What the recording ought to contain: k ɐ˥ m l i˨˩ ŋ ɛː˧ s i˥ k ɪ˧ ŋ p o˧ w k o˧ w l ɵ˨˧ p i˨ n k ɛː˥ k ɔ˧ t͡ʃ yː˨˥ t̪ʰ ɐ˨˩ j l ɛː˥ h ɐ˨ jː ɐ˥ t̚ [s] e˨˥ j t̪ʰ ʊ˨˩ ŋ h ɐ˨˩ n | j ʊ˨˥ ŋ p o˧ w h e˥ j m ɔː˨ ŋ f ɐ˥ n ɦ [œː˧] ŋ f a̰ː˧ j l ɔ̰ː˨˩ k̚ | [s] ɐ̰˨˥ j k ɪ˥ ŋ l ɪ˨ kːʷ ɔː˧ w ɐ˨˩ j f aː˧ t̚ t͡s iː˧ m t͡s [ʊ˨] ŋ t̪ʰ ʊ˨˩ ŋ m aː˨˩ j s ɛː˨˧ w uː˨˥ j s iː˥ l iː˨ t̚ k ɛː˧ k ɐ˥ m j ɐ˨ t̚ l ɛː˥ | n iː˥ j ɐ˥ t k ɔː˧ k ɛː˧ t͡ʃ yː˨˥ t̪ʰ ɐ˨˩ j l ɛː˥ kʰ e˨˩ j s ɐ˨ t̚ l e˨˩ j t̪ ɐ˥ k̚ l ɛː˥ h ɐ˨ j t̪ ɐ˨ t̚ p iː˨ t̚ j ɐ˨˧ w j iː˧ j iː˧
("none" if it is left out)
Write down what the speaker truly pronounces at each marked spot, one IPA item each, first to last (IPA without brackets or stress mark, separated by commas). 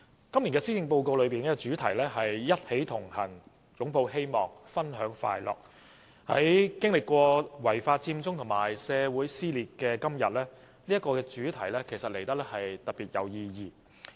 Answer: h, œː˨˥, h, ʊ˥